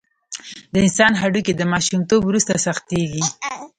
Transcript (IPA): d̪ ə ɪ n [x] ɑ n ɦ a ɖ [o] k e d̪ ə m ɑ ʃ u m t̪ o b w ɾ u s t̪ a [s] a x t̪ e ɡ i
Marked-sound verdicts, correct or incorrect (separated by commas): incorrect, incorrect, correct